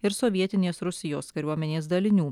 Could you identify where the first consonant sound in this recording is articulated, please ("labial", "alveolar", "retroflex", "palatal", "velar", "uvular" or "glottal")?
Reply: alveolar